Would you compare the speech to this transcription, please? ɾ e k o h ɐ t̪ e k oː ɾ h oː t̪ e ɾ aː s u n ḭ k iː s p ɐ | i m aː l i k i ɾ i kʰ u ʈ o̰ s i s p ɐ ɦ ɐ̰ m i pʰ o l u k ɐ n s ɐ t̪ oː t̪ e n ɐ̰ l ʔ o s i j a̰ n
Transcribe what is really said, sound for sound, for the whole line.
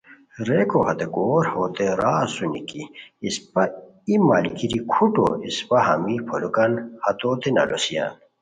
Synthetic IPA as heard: ɾ e k o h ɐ t̪ e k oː ɾ h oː t̪ e ɾ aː s u n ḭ k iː s p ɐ | i m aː l i k i ɾ i kʰ u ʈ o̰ i s p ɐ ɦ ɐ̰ m i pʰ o l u k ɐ n h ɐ t̪ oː t̪ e n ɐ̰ l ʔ o s i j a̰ n